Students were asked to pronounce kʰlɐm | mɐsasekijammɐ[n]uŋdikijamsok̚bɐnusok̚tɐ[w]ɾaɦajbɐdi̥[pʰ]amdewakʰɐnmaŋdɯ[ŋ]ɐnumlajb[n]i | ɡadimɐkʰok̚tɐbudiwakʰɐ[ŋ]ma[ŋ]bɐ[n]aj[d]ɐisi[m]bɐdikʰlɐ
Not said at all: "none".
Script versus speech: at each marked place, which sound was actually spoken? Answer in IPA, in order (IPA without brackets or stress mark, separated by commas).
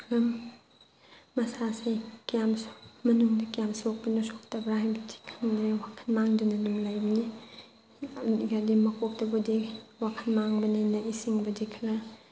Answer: n, b, kʰ, n, n, n, ŋ, n, n, ŋ